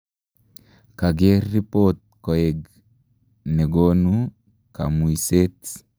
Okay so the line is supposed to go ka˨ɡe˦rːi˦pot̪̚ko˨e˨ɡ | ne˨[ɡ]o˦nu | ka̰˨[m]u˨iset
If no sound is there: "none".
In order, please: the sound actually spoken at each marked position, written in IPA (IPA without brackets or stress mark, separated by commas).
ɡ, m